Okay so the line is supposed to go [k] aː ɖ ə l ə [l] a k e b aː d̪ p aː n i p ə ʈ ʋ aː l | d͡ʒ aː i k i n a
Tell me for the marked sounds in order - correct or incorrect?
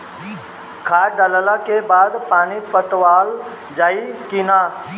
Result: incorrect: kʰ, correct

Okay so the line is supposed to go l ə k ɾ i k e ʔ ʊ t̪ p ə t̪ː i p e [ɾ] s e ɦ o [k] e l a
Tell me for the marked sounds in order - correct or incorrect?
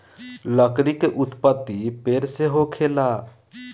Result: correct, incorrect: kʰ

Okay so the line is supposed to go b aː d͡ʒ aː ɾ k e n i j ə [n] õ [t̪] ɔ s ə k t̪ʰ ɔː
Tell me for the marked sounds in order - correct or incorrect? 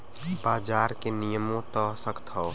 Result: incorrect: m, correct

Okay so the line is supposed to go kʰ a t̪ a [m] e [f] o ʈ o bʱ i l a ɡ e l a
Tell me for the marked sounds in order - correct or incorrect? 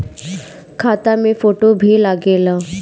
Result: correct, correct

